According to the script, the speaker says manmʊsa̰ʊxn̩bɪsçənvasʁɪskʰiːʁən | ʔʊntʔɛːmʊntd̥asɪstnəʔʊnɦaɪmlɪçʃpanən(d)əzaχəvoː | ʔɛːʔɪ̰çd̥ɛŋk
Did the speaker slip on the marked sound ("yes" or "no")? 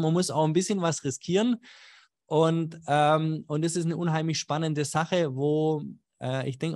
no